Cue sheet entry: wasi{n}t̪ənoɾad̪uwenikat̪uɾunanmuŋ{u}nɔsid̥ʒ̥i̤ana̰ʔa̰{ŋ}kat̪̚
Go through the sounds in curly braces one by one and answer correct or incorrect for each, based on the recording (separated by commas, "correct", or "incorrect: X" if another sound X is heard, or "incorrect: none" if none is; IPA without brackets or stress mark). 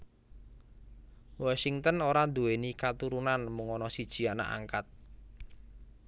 incorrect: ŋ, incorrect: ɔ, correct